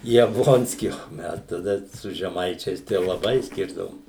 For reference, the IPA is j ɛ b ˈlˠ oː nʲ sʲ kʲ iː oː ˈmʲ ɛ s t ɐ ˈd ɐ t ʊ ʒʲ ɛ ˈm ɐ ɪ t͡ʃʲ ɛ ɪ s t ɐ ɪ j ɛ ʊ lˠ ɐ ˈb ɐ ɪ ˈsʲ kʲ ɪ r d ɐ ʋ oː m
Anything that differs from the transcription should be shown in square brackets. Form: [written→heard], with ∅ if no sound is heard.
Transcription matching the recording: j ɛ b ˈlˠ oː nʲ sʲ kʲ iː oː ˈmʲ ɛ s t ɐ ˈd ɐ [t→s] ʊ ʒʲ ɛ ˈm ɐ ɪ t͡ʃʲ ɛ ɪ s t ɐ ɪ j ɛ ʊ lˠ ɐ ˈb ɐ ɪ ˈsʲ kʲ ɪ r d ɐ ʋ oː m